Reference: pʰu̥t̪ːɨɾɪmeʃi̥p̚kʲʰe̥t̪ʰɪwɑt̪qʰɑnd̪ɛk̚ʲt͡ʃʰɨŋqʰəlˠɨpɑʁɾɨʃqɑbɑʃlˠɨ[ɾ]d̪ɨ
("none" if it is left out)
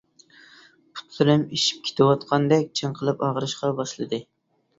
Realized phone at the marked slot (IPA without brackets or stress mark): none